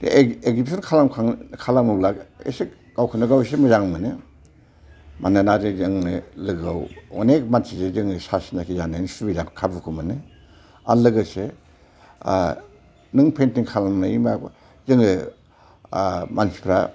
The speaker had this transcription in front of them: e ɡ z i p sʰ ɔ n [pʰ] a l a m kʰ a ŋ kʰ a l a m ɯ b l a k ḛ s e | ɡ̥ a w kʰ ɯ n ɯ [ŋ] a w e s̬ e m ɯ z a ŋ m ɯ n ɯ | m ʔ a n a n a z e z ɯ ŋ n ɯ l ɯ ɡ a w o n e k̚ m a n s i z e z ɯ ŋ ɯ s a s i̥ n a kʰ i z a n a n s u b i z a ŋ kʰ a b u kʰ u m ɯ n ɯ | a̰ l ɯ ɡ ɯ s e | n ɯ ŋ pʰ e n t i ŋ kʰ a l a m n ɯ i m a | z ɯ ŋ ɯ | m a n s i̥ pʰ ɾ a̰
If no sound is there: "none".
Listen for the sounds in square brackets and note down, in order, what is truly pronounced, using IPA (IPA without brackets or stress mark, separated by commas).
kʰ, ɡ